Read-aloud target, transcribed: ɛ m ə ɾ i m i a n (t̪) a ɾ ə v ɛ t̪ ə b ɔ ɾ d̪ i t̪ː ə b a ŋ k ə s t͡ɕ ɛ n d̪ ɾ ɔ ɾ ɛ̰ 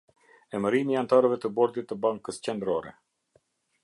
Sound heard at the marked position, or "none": t̪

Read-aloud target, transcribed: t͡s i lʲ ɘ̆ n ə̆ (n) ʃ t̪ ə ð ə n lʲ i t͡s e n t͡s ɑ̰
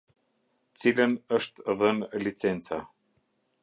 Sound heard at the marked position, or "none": none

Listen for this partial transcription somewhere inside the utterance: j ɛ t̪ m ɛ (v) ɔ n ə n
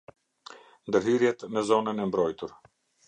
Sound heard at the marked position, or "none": z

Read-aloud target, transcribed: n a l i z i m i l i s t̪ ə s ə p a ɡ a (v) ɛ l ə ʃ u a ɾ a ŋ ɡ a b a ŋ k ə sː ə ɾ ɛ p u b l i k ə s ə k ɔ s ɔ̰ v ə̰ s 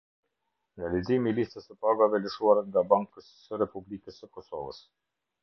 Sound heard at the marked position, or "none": v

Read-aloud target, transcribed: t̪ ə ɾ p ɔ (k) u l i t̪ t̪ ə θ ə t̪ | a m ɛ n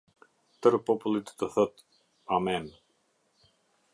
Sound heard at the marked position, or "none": p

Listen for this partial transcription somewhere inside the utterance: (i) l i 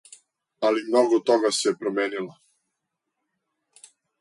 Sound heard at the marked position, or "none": a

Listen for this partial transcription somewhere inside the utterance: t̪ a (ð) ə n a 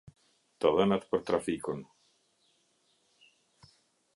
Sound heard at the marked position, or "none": ð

